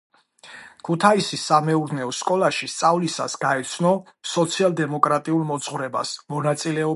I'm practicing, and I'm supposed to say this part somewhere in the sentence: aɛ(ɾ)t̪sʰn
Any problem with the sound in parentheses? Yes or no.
yes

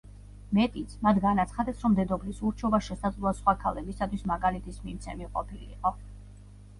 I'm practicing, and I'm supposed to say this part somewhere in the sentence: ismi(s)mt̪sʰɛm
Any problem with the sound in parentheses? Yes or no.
yes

